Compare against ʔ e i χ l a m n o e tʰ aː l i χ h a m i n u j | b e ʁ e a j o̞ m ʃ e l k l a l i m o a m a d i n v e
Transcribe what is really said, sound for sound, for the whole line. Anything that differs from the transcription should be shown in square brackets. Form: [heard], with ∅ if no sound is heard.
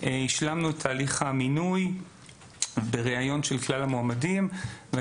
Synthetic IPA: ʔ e i [ʃ] l a m n [u] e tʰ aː l i χ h a m i n u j | b e ʁ e a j o̞ [n] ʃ e l k l a l [a] m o a m a d i [m] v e